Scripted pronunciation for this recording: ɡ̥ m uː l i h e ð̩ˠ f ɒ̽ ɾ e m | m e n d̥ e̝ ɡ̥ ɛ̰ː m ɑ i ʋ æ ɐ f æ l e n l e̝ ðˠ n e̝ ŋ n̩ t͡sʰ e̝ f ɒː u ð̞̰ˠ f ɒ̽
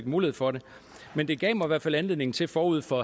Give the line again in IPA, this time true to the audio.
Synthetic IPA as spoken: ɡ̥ m uː l i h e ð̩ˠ f ɒ̽ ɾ e | m e n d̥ e̝ ɡ̥ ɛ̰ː m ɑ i ʋ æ ɐ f æ l æ n l e̝ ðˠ n e̝ ŋ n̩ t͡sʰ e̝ f ɒː u ð̞̰ˠ f ɒ̽